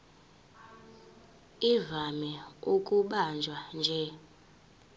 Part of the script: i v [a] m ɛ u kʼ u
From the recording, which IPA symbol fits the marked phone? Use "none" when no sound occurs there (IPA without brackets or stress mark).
a